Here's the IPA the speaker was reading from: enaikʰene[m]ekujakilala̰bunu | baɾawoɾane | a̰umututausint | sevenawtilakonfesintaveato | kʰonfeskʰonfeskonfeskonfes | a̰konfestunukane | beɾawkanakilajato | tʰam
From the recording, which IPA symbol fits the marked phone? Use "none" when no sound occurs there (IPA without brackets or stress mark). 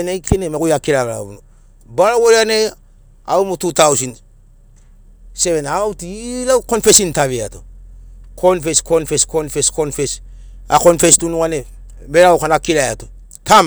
m